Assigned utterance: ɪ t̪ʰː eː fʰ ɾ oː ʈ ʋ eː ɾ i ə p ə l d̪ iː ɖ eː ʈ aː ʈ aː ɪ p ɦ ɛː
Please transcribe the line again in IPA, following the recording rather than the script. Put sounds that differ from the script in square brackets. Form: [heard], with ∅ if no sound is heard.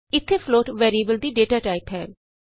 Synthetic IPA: ɪ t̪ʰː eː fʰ [l] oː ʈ ʋ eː ɾ i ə [b] ə l d̪ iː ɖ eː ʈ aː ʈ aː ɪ p ɦ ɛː